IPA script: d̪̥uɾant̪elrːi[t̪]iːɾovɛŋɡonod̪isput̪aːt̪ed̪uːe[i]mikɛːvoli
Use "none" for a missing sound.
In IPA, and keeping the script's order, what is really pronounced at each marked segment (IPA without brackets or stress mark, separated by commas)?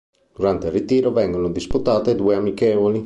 t̪, a